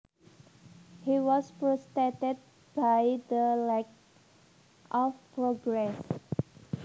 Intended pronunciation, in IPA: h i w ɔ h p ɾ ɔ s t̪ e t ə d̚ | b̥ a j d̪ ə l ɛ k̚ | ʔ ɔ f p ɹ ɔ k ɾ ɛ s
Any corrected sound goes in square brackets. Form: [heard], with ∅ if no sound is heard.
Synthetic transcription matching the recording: h i w ɔ [s] p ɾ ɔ s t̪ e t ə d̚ | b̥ a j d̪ ə l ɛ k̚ | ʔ ɔ f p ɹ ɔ [ɡ] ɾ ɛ s